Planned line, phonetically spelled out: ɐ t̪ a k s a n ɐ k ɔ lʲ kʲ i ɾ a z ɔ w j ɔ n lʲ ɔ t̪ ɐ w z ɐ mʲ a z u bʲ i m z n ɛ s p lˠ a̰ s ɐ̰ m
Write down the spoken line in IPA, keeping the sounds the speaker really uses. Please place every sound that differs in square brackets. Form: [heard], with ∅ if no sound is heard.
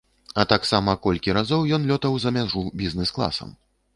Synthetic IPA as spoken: ɐ t̪ a k s a [m] ɐ k ɔ lʲ kʲ i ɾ a z ɔ w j ɔ n lʲ ɔ t̪ ɐ w z ɐ mʲ a [ʐ] u bʲ i [∅] z n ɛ s [k] lˠ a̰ s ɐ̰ m